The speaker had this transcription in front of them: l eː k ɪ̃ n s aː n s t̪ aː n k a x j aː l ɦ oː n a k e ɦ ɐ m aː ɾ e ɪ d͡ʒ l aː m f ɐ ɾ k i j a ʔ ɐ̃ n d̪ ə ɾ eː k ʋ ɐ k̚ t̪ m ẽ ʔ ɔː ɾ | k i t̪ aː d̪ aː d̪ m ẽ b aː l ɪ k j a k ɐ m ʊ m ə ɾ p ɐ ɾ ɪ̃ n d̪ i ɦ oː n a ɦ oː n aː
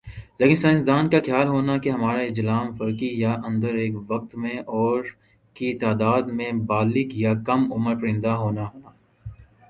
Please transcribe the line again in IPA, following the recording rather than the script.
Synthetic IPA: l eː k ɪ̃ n s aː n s d̪ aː n k a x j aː l ɦ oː n a k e ɦ ɐ m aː ɾ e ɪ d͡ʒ l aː m f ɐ ɾ k i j a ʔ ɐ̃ n d̪ ə ɾ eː k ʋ ɐ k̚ t̪ m ẽ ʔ ɔː ɾ | k i t̪ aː d̪ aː d̪ m ẽ b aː l ɪ k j a k ɐ m ʊ m ə ɾ p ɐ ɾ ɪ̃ n d̪ a ɦ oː n a ɦ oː n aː